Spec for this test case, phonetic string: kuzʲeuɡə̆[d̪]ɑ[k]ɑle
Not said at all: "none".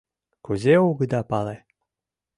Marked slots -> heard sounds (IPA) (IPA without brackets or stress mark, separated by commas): d̪, p